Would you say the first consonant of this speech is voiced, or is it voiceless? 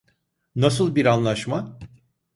voiced